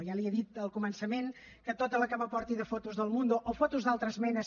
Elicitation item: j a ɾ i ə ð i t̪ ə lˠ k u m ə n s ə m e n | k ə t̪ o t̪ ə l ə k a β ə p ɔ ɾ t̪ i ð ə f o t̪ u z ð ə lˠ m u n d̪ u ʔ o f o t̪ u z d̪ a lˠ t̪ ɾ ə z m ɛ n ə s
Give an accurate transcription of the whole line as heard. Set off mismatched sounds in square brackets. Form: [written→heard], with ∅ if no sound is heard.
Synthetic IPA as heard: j a [ɾ→l] i ə ð i t̪ ə lˠ k u m ə n s ə m e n | k ə t̪ o t̪ ə l ə k a β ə p ɔ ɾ t̪ i ð ə f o t̪ u z ð ə lˠ m u n d̪ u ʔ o f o t̪ u z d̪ a lˠ t̪ ɾ ə z m ɛ n ə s